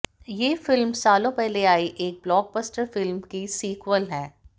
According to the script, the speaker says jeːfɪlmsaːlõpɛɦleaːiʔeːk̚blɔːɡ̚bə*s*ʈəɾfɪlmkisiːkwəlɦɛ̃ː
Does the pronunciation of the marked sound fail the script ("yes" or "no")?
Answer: no